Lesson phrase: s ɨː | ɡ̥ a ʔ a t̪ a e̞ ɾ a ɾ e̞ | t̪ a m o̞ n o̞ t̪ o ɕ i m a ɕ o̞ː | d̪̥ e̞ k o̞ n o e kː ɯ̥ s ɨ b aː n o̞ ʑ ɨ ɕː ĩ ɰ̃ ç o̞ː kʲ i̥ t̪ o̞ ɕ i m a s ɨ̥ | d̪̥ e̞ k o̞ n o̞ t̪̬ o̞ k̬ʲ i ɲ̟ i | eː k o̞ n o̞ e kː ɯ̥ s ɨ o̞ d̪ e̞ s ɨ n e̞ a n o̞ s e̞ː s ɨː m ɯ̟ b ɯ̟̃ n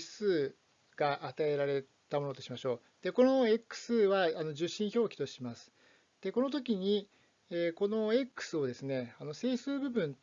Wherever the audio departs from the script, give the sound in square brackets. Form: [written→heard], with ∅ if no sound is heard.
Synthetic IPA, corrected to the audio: s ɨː | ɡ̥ a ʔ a t̪ a e̞ ɾ a ɾ e̞ | t̪ a m o̞ n o̞ t̪ o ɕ i m a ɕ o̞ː | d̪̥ e̞ k o̞ n o e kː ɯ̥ s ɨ [b→β] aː n o̞ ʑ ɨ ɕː ĩ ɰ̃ ç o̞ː kʲ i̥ t̪ o̞ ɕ i m a s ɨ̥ | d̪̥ e̞ k o̞ n o̞ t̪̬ o̞ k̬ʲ i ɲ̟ i | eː k o̞ n o̞ e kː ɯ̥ s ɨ o̞ d̪ e̞ s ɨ n e̞ a n o̞ s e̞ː s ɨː [m→b] ɯ̟ b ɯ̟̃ n